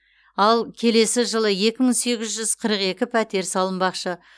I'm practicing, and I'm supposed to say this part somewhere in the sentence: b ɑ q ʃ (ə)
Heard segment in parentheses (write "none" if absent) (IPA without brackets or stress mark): ə